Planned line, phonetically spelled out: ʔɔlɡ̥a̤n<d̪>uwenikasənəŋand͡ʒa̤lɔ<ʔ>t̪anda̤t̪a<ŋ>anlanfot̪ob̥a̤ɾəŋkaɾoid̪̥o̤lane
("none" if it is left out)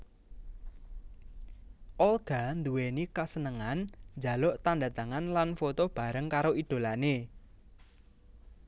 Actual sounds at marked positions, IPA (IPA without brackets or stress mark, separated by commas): d̪, ʔ, ŋ